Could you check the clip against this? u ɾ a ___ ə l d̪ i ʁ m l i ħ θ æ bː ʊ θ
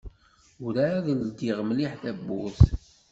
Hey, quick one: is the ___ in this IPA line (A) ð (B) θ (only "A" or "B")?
A